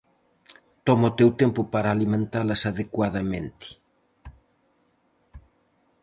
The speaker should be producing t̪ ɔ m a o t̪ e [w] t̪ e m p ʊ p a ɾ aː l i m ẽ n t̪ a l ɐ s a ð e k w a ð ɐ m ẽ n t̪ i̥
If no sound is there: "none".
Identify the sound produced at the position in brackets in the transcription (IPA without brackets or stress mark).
w